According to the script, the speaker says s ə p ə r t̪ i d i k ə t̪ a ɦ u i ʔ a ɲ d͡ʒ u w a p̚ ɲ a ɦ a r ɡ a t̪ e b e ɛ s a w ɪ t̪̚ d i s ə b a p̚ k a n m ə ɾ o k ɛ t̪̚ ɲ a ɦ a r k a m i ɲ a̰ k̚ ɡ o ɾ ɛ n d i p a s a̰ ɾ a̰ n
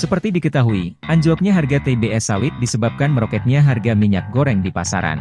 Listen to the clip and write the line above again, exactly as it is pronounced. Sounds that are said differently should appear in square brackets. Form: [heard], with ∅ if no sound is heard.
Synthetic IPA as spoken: s ə p ə r t̪ i d i k ə t̪ a ɦ u i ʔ a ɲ d͡ʒ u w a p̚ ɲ a ɦ a r ɡ a t̪ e b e ɛ s a w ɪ t̪̚ d i s ə b a p̚ k a n m ə ɾ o k ɛ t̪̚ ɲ a ɦ a r [ɡ] a m i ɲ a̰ k̚ ɡ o ɾ ɛ [ŋ] d i p a s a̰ ɾ a̰ n